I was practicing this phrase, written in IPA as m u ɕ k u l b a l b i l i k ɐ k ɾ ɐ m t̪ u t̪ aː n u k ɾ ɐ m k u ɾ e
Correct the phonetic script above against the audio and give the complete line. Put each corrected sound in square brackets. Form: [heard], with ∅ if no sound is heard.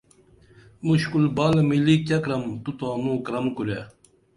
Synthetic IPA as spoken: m u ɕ k u l b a l [m] i l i k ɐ k ɾ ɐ m t̪ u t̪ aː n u k ɾ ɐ m k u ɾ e